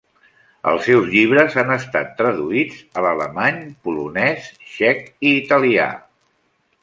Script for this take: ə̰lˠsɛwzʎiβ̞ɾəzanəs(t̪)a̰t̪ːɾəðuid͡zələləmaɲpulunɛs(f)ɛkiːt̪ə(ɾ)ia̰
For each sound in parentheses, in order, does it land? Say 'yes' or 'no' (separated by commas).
yes, no, no